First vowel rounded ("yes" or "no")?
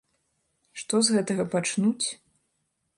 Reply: yes